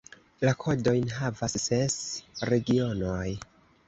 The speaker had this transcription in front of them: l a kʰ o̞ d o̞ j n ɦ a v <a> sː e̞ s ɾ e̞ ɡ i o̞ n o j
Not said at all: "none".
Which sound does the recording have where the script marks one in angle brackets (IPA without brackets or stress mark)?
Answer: a